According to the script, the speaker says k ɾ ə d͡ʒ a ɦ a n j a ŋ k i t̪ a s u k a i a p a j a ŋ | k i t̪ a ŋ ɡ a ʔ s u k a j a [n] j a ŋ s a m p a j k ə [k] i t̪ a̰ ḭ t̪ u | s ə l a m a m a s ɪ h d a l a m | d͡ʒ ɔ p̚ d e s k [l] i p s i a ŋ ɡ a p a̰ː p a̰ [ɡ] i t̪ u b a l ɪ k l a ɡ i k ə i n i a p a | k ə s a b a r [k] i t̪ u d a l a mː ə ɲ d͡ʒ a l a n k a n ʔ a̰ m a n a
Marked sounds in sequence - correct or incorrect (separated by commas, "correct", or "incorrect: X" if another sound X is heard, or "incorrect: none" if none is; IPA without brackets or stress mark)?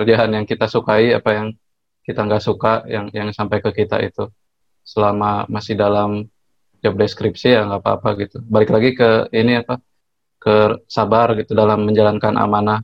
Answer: incorrect: ŋ, correct, incorrect: ɾ, correct, incorrect: ɡ